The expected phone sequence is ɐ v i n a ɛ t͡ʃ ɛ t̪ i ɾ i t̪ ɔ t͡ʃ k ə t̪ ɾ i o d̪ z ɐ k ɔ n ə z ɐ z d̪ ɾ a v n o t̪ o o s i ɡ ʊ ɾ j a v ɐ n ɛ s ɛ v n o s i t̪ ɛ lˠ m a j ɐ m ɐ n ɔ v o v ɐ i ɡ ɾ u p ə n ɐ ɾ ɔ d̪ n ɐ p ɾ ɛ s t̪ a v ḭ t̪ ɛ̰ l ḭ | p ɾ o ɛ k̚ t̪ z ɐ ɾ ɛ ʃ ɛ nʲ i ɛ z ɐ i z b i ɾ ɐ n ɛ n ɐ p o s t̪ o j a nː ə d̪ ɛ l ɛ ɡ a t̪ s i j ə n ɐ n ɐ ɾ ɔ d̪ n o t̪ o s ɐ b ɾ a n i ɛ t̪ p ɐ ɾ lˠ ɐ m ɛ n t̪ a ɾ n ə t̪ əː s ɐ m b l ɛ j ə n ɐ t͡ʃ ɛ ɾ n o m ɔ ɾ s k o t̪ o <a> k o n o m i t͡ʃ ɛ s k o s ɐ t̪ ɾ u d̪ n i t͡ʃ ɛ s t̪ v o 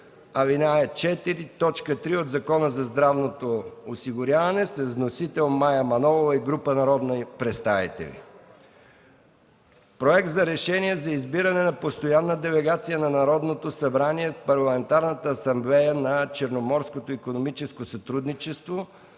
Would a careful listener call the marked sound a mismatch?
yes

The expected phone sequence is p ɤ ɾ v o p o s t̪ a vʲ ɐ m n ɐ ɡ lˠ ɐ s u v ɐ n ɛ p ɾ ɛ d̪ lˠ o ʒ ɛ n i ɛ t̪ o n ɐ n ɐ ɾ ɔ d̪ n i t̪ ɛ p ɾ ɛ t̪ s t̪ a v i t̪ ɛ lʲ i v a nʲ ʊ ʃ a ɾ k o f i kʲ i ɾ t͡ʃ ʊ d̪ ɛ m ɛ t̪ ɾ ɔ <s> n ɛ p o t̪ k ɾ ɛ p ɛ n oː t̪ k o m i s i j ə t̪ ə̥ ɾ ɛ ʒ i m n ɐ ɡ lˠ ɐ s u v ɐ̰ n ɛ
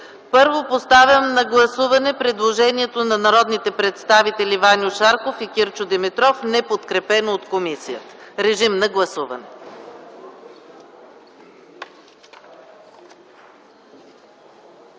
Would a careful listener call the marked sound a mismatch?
yes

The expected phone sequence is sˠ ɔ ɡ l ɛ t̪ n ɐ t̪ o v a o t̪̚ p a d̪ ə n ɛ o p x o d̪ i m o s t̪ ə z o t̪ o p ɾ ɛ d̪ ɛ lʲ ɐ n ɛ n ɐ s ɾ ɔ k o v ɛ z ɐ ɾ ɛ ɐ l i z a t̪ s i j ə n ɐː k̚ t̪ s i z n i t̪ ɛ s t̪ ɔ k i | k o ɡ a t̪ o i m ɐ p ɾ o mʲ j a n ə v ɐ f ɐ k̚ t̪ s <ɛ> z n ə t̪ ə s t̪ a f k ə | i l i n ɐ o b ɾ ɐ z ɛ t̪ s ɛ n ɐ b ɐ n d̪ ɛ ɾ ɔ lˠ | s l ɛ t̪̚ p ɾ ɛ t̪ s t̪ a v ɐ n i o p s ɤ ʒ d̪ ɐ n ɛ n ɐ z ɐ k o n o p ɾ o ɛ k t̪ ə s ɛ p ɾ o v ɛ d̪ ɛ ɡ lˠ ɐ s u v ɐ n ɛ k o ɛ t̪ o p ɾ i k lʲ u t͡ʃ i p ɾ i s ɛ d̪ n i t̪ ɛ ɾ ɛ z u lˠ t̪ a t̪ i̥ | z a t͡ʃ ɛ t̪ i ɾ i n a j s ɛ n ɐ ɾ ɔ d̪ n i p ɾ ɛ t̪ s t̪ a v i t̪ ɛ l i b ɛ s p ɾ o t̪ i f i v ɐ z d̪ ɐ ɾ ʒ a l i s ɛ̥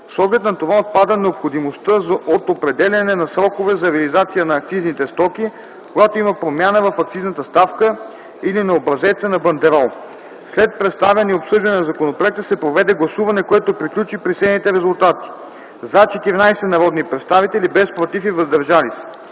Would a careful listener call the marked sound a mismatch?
yes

